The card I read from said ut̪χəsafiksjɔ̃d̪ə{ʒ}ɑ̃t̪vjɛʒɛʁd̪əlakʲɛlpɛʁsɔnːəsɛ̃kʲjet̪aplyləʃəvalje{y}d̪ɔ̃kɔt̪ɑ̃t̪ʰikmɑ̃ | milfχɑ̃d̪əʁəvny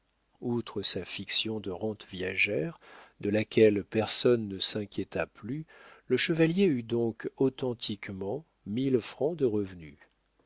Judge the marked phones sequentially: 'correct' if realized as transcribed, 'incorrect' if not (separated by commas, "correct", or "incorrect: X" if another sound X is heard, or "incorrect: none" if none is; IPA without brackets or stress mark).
incorrect: ʁ, correct